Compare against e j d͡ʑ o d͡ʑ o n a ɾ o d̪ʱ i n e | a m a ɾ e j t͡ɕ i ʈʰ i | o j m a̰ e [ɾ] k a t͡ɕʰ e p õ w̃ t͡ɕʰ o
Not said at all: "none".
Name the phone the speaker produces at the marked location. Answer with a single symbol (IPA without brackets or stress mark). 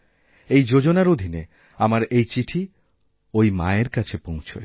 ɾ